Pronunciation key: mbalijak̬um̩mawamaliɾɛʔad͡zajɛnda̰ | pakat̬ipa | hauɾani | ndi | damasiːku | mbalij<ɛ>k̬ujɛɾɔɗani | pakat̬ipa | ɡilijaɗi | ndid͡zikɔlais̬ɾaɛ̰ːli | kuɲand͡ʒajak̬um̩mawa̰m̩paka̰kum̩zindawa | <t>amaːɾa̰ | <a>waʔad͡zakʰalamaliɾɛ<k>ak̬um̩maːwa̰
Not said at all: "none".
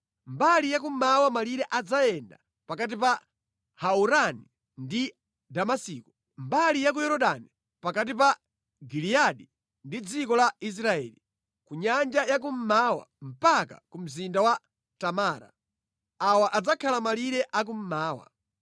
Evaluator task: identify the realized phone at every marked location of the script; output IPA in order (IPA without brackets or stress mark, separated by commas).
a, t, a, ʔ